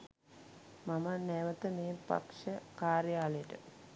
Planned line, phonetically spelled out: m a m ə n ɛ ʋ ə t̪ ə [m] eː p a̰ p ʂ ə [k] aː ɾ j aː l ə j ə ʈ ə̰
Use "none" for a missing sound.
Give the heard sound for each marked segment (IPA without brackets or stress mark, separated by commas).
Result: m, k